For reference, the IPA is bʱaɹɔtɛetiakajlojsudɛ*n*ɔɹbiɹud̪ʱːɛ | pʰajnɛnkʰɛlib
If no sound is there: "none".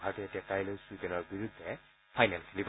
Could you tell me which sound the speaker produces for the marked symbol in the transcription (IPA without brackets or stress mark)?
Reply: n